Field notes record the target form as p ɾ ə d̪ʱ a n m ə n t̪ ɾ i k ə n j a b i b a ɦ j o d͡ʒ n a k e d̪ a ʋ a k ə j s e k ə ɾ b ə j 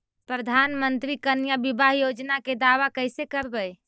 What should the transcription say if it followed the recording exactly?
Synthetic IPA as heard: p ɾ ə d̪ʱ a n m ə n t̪ ɾ i k ə n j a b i b a ɦ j o d͡ʒ n a k e d̪ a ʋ a k ə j s e k ə ɾ b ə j

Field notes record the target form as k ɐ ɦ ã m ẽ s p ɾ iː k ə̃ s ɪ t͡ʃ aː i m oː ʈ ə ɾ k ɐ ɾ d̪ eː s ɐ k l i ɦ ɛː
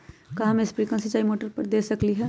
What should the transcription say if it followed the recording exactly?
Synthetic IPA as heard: k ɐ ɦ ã m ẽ s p ɾ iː k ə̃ s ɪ t͡ʃ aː i m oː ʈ ə ɾ p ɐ ɾ d̪ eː s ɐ k l i ɦ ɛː

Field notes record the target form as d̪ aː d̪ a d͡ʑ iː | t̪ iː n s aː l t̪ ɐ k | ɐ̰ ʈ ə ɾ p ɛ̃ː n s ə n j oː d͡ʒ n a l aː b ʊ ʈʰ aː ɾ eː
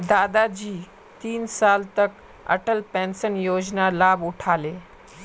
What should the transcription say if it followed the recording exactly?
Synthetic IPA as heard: d̪ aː d̪ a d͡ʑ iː | t̪ iː n s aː l t̪ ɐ k | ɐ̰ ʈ ə l p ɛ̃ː n s ə n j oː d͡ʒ n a l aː b ʊ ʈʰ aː l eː

